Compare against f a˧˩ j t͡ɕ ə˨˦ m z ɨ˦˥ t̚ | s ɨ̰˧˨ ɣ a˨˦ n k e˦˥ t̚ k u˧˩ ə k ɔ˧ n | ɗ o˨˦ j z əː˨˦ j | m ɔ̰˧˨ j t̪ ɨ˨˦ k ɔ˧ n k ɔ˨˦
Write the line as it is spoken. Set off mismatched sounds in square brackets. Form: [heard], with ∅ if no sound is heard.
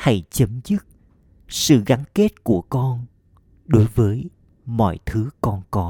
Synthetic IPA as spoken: [h] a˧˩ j t͡ɕ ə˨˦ m z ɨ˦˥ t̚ | s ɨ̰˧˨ ɣ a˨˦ n k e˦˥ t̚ k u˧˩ ə k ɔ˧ n | ɗ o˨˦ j [v] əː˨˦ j | m ɔ̰˧˨ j [t̪ʰ] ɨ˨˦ k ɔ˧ n k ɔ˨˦